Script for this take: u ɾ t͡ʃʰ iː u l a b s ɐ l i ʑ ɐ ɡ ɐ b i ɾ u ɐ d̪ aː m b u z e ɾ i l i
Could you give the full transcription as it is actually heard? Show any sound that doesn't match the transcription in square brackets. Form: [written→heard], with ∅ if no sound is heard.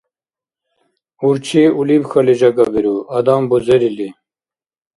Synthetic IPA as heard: u ɾ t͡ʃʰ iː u l [a→i] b [s→x] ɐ l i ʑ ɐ ɡ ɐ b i ɾ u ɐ d̪ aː m b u z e ɾ i l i

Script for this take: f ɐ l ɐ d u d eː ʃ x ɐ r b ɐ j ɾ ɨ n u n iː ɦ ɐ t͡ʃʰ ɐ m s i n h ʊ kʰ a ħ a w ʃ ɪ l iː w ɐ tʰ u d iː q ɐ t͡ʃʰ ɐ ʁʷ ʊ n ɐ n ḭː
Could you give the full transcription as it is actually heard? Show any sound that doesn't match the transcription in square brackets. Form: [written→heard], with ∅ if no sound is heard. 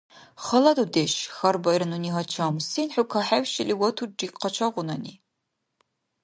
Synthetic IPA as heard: [f→χ] ɐ l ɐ d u d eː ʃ x ɐ r b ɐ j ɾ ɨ n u n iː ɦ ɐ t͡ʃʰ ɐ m s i n [h→ħ] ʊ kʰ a ħ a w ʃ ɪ l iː w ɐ tʰ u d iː q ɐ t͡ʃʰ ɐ ʁʷ ʊ n ɐ n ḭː

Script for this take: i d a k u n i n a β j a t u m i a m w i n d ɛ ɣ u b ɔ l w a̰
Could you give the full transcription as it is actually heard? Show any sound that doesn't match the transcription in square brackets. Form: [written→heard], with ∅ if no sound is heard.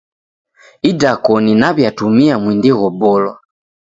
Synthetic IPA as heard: i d a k [u→ɔ] n i n a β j a t u m i a m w i n d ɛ ɣ [u→ɔ] b ɔ l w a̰

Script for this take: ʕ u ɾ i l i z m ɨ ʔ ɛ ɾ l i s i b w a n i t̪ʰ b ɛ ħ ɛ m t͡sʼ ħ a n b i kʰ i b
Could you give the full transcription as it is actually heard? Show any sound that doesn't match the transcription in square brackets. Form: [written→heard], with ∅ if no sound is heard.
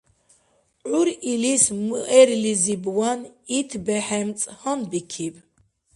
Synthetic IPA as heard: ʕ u ɾ i l i [z→s] m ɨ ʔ ɛ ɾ l i [s→z] i b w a n i t̪ʰ b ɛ ħ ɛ m t͡sʼ [ħ→h] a n b i kʰ i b

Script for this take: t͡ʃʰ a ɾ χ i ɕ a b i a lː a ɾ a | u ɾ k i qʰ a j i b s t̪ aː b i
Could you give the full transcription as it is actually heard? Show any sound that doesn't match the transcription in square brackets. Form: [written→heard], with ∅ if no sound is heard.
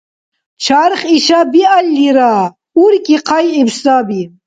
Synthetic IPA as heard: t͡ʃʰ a ɾ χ i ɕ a b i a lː [a→i] ɾ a | u ɾ k i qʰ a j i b s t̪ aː b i

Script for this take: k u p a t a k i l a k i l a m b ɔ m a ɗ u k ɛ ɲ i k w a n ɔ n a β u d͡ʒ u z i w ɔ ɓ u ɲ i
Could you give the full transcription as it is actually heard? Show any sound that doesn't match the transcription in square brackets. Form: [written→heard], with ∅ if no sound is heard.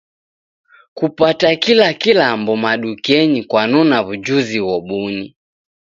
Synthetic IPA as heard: k u p a t a k i l a k i l a m b ɔ m a ɗ u k ɛ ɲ i k w a n ɔ n a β u d͡ʒ u z i w ɔ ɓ u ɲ i

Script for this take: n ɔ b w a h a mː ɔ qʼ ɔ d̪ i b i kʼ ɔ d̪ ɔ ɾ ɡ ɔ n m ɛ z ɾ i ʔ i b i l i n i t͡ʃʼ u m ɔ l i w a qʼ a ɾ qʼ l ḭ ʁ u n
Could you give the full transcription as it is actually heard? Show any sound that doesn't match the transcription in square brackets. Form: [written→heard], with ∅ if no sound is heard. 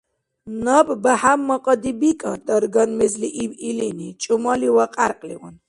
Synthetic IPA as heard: n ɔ b [w→b] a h a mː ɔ qʼ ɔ d̪ i b i kʼ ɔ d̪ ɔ ɾ ɡ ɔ n m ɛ z [ɾ→l] i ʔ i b i l i n i t͡ʃʼ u m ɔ l i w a qʼ a ɾ qʼ l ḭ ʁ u n

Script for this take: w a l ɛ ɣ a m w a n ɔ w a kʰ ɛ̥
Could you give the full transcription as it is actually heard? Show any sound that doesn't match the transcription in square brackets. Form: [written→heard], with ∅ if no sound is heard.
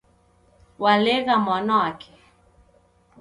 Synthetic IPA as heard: w a l ɛ ɣ a m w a n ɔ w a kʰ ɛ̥

